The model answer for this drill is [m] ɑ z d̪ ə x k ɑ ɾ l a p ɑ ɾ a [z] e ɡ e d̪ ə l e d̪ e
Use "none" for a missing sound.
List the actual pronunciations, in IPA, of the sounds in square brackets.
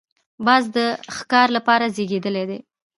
b, z

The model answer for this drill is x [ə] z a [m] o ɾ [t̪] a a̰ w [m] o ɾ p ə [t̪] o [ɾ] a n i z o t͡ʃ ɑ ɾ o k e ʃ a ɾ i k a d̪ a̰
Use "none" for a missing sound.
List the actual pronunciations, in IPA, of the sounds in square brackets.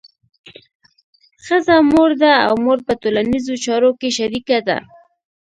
ə, m, d̪, m, t̪, l

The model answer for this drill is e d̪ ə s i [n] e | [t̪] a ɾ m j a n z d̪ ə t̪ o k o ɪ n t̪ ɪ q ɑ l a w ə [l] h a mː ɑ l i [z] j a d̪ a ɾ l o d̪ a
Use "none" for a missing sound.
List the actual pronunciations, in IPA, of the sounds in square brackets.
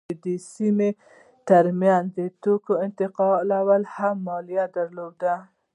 m, t̪, l, none

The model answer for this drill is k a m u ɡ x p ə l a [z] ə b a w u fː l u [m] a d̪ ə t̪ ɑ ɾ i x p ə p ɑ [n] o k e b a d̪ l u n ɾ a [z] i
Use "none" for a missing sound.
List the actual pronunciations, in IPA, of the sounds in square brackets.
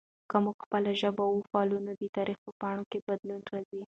ʒ, n, ɳ, z

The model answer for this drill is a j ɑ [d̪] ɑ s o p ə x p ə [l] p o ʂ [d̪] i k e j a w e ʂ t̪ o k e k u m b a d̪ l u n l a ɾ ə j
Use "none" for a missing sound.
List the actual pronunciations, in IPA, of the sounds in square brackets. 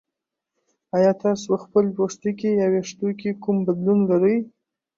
t̪, l, t̪

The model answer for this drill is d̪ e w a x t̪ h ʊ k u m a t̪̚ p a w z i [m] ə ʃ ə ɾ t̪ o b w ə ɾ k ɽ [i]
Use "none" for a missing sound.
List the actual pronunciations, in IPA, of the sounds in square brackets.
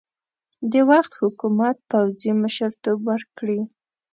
m, i

